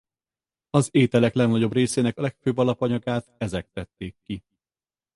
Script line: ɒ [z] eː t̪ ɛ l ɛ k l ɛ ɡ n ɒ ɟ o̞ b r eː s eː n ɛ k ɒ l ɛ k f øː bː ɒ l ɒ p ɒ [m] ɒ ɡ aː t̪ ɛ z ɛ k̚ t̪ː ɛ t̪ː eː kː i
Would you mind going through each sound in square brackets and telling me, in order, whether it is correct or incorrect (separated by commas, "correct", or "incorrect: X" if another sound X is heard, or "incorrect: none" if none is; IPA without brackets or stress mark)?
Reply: correct, incorrect: ɲ